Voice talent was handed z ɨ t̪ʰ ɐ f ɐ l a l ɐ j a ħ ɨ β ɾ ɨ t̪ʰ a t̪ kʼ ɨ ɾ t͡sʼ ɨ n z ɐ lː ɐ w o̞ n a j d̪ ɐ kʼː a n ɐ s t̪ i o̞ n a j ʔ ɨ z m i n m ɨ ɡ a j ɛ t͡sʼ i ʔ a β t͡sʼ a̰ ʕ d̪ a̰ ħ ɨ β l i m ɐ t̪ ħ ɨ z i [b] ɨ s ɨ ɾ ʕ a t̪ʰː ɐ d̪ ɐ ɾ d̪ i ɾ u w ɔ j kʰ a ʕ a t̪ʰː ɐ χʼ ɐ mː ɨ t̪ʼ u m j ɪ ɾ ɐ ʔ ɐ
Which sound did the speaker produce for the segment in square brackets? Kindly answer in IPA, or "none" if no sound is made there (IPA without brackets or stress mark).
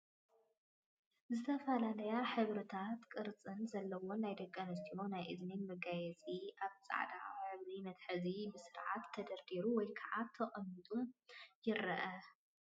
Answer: b